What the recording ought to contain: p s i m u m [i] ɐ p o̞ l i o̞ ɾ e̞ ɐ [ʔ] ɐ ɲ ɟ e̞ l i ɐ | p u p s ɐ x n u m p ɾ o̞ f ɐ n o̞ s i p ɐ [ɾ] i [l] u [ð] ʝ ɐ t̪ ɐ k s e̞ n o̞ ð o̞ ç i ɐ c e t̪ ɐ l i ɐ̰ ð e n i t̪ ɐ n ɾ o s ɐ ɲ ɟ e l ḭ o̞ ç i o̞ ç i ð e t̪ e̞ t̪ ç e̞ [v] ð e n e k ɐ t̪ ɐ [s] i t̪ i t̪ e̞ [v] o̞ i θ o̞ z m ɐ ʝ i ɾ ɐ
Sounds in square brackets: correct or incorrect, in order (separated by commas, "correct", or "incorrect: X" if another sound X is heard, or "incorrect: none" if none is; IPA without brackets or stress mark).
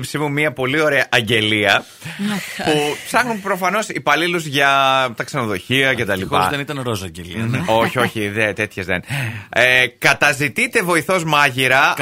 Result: correct, correct, incorrect: l, correct, incorrect: z, incorrect: z, incorrect: z, correct